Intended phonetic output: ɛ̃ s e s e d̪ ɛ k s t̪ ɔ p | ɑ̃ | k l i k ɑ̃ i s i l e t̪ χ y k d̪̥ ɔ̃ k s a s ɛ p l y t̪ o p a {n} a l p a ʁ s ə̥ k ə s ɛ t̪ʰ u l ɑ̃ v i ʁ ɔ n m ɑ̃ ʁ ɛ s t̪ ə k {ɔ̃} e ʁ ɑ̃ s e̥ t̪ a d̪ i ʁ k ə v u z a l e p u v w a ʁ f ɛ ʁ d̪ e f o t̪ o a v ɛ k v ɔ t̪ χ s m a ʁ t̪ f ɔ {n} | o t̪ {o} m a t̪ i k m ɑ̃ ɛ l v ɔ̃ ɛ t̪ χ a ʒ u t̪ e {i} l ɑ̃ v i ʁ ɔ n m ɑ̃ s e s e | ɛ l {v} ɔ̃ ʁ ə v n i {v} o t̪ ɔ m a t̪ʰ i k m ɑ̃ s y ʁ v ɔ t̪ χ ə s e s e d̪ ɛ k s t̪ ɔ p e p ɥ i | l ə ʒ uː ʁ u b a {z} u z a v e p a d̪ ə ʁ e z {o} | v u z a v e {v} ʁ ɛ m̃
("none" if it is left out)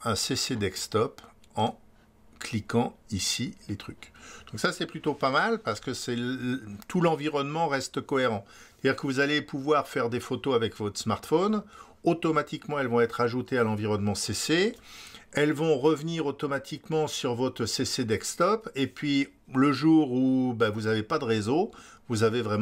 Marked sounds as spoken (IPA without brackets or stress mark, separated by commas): m, ɔ, n, ɔ, a, v, ʁ, v, o, v